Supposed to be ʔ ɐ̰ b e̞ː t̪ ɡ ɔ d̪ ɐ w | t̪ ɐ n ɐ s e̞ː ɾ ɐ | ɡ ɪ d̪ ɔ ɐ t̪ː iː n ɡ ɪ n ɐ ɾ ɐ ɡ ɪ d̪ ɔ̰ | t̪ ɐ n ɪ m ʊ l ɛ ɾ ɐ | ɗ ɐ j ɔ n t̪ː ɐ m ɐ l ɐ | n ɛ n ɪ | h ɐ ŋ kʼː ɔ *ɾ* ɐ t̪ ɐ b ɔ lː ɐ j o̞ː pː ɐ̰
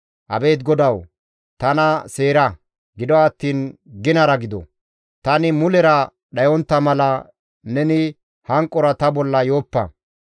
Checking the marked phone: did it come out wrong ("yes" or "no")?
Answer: no